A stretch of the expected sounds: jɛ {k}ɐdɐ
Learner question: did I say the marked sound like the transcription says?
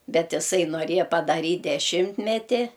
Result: no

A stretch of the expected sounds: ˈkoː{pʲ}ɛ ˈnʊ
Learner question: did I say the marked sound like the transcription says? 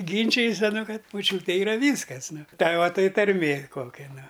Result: no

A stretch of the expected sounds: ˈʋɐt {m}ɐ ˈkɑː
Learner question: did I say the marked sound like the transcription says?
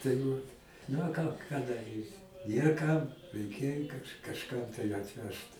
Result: no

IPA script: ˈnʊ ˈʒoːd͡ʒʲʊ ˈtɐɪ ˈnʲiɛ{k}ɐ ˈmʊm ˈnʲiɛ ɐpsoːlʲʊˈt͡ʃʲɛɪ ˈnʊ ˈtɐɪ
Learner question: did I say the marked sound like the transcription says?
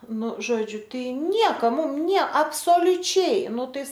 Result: yes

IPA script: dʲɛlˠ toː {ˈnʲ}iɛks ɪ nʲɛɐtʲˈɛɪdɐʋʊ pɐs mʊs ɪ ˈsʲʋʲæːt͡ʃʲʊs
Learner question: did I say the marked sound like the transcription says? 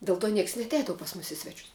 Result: yes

